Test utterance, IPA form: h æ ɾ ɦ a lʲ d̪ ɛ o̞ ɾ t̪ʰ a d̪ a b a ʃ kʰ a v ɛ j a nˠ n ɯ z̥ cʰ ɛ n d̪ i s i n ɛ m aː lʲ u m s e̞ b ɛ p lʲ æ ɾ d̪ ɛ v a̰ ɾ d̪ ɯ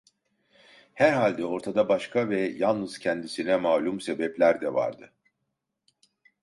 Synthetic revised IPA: h æ ɾ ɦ a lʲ d̪ ɛ o̞ ɾ t̪ʰ a d̪ a b a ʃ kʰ a v ɛ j a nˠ n ɯ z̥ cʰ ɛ n d̪ i s i n ɛ m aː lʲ u m s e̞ b ɛ p lʲ æ ɾ d̪ ɛ v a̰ ɾ d̪ ɯ